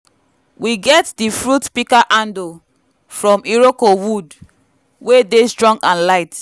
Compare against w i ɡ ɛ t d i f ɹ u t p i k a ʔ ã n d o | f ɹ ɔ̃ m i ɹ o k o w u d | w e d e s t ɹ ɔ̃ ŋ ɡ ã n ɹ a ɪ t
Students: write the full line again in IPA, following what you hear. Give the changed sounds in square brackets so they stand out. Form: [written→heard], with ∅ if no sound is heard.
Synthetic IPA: w i ɡ ɛ t d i f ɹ u t p i k a ʔ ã n d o | f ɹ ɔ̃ m i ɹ o k o w u d | w e d e s t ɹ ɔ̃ ŋ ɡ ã n [ɹ→l] a ɪ t